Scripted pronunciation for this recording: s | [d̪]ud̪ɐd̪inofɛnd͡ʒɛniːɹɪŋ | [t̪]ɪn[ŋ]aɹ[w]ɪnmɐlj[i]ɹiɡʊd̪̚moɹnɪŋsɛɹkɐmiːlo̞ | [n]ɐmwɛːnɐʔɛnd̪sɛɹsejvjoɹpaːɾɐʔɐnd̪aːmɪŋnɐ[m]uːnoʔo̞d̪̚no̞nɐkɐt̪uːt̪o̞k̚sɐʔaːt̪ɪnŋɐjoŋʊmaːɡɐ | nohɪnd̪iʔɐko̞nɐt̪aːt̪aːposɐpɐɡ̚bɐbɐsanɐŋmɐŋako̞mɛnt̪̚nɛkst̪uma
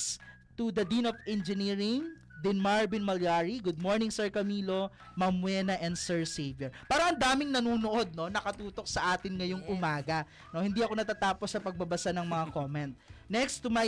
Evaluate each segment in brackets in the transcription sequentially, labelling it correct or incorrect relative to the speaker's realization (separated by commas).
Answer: incorrect, incorrect, incorrect, incorrect, incorrect, incorrect, incorrect